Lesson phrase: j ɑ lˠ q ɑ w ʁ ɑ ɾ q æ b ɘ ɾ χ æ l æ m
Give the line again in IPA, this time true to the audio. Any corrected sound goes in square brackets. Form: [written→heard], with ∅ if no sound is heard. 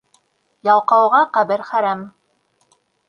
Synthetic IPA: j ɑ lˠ q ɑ w ʁ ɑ [ɾ→∅] q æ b ɘ ɾ χ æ [l→ɾ] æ m